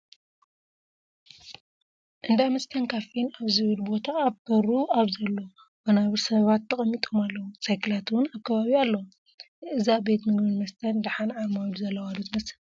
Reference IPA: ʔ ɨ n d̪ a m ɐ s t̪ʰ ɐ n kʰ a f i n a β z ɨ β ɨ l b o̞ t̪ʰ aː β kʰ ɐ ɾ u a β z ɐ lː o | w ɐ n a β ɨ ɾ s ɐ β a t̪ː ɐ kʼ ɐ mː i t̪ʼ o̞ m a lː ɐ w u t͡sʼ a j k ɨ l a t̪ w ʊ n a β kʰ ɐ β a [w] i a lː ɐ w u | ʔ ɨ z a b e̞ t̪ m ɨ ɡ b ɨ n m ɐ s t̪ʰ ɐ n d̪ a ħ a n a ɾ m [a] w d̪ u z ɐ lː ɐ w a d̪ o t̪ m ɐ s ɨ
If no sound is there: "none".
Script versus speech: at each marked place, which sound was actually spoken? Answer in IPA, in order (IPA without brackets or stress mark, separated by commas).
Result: β, a